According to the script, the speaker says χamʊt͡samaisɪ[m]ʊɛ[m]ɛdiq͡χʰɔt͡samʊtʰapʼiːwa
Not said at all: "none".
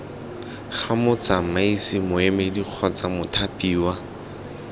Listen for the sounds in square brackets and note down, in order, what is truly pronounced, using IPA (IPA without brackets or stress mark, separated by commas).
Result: m, m